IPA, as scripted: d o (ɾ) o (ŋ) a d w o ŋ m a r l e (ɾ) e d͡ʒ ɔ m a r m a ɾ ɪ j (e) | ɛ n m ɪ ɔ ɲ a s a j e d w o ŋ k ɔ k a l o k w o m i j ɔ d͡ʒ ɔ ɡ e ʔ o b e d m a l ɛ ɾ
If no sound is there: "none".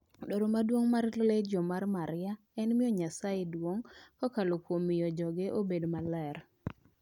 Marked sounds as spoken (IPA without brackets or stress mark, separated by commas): ɾ, m, l, a